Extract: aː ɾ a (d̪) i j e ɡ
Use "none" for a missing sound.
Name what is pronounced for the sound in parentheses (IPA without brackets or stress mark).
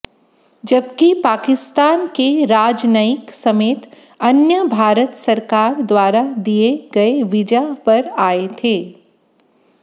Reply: d̪